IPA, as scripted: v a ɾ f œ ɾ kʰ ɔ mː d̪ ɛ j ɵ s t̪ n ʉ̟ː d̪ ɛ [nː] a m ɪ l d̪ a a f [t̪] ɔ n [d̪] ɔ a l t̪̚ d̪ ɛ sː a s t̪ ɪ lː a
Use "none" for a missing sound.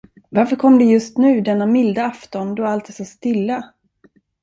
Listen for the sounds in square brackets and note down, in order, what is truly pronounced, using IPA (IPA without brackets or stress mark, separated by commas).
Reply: nː, t̪, d̪